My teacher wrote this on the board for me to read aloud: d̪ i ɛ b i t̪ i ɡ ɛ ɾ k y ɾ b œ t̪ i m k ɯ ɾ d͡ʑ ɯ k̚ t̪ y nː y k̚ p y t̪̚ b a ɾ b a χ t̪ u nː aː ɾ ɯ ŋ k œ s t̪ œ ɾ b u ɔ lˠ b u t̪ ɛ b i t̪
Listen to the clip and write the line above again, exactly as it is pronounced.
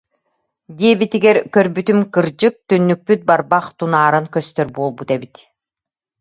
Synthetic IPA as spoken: d̪ i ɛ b i t̪ i ɡ ɛ ɾ k œ ɾ b y t̪ y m k ɯ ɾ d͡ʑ ɯ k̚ t̪ y nː y k̚ p y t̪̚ b a ɾ b a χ t̪ u n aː ɾ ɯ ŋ k œ s t̪ œ ɾ b u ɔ lˠ b u t̪ ɛ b i t̪